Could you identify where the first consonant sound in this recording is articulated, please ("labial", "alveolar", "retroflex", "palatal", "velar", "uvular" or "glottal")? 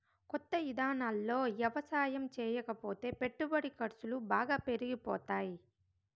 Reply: velar